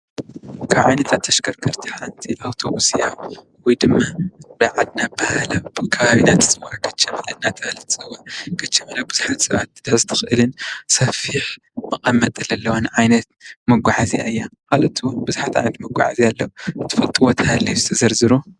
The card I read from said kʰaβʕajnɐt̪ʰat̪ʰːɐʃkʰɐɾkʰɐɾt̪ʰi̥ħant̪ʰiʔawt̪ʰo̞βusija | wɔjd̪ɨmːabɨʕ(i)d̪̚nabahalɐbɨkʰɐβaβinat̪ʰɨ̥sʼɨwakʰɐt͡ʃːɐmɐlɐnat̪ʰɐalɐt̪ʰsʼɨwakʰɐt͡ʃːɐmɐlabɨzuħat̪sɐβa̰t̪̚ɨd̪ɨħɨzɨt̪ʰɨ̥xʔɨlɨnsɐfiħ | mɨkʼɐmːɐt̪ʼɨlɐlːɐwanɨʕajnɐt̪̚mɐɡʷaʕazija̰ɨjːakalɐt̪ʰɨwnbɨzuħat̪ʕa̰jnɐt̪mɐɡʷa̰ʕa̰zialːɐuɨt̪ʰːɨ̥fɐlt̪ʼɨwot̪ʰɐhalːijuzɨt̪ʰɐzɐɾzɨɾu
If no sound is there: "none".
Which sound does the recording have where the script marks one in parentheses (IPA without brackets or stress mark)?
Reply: a